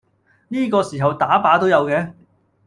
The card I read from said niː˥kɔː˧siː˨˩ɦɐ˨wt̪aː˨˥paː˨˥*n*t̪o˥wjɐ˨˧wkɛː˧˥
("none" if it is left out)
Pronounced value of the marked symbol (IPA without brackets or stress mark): none